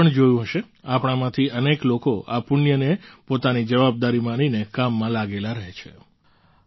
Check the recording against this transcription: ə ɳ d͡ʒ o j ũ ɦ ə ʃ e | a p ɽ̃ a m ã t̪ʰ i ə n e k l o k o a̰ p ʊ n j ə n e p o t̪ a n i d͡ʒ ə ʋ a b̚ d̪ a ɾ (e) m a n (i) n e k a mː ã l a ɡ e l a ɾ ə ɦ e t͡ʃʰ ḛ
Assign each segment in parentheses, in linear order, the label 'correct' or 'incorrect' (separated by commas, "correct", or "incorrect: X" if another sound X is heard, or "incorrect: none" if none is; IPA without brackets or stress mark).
incorrect: i, correct